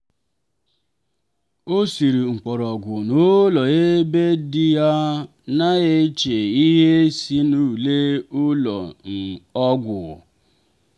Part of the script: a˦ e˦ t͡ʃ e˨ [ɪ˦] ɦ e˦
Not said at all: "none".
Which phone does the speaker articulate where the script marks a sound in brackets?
i˦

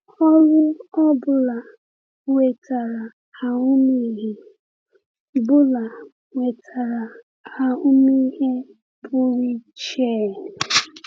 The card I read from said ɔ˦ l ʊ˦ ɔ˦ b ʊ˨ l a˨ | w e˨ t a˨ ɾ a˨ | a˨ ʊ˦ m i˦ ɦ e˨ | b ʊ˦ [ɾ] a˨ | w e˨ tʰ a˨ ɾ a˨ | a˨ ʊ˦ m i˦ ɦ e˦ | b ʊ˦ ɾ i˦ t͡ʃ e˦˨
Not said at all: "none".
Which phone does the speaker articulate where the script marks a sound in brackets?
l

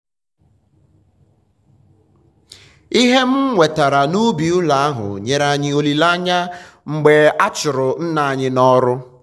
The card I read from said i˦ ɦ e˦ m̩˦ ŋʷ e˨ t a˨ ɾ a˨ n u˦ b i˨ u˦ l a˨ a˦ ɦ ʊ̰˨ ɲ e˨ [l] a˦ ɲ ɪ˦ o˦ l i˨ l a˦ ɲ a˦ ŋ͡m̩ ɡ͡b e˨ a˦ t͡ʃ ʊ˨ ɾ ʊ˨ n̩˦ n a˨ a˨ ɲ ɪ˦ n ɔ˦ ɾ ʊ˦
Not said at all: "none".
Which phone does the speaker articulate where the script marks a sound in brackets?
ɾ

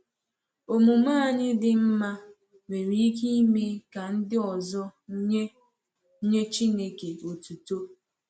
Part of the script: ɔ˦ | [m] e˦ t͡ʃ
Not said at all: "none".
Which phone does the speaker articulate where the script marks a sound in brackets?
ɲ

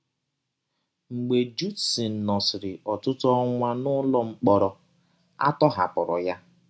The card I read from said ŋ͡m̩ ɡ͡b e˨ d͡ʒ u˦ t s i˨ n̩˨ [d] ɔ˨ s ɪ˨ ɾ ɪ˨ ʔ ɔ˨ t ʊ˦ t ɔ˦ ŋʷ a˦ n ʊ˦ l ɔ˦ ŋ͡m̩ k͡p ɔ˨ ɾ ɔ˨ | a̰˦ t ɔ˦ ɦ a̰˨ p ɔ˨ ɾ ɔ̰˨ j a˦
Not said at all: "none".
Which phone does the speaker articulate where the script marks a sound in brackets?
n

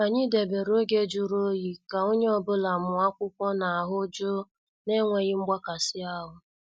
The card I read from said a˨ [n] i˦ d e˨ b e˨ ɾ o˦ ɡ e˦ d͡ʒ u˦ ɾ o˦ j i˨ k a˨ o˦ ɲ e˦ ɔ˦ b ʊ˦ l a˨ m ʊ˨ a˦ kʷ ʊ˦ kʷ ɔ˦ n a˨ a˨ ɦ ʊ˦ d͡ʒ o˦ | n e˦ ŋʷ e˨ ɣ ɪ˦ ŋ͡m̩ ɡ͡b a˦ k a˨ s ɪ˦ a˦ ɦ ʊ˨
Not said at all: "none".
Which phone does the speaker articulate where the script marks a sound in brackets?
ɲ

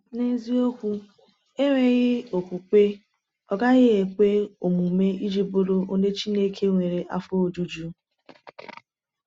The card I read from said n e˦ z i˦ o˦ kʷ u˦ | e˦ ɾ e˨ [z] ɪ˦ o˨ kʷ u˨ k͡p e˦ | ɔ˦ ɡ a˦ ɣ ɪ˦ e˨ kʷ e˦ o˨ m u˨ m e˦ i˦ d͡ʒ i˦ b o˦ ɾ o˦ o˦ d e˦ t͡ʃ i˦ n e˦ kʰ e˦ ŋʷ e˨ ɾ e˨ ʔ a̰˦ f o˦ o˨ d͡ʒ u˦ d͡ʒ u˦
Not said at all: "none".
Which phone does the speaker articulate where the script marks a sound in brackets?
ɣ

